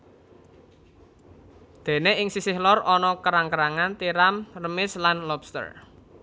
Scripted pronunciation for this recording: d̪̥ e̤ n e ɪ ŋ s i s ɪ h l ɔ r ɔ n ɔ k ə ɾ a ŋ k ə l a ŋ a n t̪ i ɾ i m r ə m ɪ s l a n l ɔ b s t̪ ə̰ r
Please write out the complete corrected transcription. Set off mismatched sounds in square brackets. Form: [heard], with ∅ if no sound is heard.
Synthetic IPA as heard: d̪̥ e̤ n e ɪ ŋ s i s ɪ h l ɔ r ɔ n ɔ k ə ɾ a ŋ k ə [ɾ] a ŋ a n t̪ i ɾ [a] m r ə m ɪ s l a n l ɔ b s t̪ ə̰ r